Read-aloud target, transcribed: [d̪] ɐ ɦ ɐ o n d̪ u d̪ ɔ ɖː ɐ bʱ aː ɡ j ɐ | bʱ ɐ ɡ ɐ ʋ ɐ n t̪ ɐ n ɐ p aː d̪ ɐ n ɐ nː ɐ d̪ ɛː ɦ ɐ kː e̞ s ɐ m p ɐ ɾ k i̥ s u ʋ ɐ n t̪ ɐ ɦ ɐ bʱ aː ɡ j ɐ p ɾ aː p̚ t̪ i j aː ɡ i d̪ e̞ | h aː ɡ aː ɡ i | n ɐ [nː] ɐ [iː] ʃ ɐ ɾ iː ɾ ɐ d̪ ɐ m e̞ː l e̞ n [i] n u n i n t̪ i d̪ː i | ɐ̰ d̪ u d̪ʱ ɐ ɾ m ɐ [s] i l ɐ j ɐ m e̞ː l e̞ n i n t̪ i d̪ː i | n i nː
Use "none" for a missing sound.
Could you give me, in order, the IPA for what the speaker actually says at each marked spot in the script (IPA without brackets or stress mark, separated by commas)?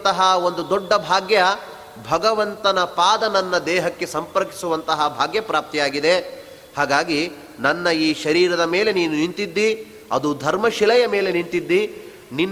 t̪, nː, iː, iː, ʃ